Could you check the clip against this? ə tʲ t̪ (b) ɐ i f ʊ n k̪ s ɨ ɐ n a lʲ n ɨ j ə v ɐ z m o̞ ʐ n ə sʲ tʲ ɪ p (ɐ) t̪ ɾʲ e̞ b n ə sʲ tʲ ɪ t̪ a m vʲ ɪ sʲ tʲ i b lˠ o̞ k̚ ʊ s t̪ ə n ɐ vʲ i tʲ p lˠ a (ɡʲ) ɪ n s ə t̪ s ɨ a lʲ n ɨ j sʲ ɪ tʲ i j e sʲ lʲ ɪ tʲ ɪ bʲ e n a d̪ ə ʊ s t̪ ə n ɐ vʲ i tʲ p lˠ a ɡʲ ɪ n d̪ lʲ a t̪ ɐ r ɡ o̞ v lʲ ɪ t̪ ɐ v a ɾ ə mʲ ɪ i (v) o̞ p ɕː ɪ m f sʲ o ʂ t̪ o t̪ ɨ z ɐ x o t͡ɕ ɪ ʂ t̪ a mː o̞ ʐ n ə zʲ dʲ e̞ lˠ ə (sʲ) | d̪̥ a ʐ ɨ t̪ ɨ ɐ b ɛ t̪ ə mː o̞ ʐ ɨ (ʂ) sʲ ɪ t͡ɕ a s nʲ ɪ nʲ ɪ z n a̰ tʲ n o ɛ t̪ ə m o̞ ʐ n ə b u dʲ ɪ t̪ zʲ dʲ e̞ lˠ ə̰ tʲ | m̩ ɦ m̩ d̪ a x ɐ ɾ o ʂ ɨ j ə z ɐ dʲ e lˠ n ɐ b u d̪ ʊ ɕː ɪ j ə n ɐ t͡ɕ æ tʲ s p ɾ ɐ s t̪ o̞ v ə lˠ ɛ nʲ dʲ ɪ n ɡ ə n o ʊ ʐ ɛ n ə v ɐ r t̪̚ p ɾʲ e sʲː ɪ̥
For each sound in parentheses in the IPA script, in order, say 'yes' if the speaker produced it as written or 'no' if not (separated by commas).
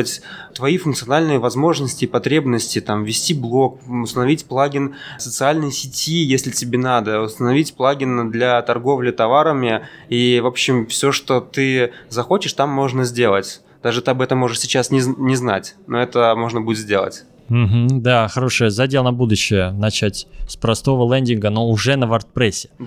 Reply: no, yes, yes, yes, no, yes